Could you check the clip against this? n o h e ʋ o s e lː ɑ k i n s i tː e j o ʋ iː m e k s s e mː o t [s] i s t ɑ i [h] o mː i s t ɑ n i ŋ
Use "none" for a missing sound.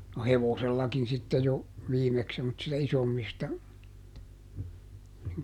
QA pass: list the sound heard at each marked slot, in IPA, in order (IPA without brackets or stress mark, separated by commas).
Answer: s, s